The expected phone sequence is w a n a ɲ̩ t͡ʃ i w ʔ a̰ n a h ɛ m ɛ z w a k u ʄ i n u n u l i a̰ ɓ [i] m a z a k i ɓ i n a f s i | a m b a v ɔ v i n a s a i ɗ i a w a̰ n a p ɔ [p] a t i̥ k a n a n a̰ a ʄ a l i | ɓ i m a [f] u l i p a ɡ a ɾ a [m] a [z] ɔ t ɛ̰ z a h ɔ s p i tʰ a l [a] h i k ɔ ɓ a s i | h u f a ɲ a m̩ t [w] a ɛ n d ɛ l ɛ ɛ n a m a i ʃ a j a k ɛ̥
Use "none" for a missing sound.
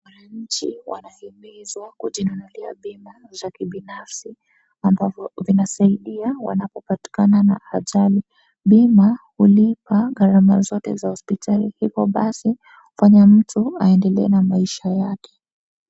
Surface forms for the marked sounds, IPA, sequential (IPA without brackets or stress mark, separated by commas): i, p, h, m, z, i, u